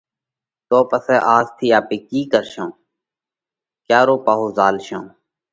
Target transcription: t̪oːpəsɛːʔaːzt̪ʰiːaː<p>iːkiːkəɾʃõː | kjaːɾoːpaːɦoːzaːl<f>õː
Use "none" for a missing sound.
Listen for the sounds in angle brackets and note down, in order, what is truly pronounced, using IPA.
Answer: p, ʃ

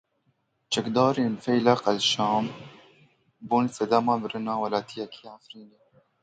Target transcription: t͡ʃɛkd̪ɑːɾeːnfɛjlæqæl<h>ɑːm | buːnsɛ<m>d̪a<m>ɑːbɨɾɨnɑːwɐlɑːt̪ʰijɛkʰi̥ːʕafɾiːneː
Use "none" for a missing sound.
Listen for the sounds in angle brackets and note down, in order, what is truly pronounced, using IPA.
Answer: ʃ, none, m

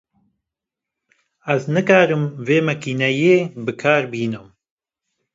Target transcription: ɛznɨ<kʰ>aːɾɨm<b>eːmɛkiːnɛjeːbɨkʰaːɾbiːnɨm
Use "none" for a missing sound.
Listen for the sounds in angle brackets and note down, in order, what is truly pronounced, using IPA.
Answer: k, v

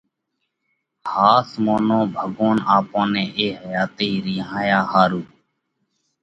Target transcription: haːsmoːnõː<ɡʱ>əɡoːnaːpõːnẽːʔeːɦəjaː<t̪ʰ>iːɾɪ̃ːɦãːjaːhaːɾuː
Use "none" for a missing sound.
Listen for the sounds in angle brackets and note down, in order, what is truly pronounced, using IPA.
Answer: bʱ, t̪

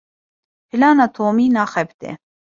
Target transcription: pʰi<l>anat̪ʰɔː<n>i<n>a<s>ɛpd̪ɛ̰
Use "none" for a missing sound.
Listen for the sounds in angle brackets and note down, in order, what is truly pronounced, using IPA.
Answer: l, m, n, χ

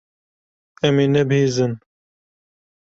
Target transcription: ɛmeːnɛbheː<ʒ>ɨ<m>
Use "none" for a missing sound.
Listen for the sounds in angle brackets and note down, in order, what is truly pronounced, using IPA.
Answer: z, n

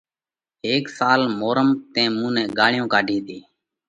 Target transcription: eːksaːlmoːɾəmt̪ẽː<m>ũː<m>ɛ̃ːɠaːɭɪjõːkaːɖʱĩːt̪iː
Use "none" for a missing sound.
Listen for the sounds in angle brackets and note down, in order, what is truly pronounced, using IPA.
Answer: m, n

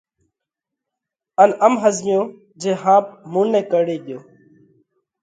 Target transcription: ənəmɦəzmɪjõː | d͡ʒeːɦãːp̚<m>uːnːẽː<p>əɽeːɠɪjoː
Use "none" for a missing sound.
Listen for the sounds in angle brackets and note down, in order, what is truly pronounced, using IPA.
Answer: m, k

